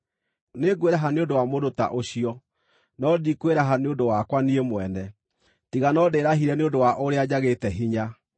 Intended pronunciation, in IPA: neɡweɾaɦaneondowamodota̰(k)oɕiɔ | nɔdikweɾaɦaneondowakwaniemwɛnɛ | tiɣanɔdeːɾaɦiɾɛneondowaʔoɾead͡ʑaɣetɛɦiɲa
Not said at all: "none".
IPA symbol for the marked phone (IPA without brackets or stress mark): ʔ